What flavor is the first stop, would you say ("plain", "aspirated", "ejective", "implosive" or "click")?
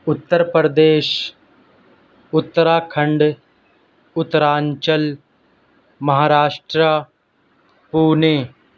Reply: plain